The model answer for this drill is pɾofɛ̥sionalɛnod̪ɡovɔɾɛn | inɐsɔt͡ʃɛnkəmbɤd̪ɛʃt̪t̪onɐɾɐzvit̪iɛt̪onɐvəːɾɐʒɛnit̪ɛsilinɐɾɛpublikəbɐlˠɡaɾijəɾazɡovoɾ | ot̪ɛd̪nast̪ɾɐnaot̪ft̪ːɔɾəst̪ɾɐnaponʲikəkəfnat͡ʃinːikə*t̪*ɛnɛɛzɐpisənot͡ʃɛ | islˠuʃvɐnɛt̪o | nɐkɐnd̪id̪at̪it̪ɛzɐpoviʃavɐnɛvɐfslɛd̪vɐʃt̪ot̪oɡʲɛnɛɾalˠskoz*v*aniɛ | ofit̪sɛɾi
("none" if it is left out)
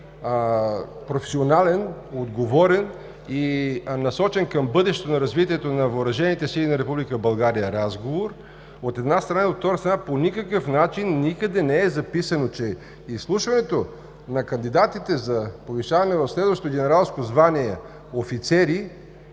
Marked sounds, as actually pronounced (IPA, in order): d̪, v

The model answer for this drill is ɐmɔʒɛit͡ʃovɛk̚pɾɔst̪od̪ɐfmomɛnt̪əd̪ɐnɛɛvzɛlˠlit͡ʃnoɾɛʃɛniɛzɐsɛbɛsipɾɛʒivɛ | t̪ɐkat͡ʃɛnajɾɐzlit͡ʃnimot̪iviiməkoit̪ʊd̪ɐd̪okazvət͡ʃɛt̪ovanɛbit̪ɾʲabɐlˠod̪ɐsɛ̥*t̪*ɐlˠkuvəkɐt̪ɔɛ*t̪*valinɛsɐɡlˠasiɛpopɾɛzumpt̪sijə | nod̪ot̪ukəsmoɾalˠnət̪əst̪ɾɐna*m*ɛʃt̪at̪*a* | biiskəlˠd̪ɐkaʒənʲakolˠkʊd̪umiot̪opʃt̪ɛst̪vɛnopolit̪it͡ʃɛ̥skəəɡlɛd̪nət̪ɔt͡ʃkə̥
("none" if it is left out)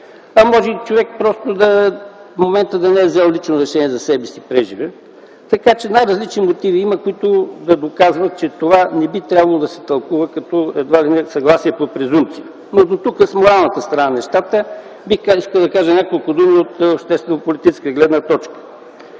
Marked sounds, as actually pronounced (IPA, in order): t̪, d̪, n, ə

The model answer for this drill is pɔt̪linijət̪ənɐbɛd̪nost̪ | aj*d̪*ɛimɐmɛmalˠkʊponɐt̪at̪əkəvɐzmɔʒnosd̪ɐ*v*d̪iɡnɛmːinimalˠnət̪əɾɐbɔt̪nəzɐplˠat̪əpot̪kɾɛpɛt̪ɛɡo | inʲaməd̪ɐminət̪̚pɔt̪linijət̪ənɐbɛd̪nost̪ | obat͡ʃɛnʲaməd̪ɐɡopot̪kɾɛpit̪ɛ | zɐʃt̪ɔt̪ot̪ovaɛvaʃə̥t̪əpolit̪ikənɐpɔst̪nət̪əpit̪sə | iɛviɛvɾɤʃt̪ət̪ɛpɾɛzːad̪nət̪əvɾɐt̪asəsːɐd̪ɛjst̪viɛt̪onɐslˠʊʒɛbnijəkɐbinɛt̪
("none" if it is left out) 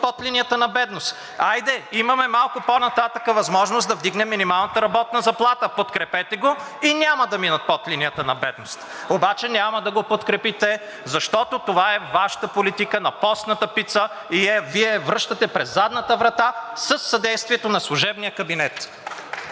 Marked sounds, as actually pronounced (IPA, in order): d̪, v

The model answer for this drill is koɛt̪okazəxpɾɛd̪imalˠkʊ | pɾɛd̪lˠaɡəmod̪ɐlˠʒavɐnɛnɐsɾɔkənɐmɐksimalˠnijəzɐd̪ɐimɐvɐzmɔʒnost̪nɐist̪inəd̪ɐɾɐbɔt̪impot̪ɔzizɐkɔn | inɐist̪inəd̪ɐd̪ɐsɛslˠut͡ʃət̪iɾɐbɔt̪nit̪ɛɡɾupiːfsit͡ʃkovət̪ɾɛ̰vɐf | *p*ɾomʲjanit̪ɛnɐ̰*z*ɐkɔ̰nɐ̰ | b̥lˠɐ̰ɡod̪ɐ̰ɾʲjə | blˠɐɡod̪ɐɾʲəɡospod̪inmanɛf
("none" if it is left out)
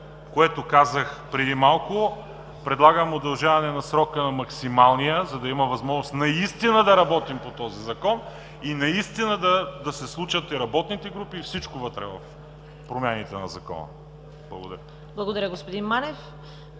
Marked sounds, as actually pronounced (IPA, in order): p, z

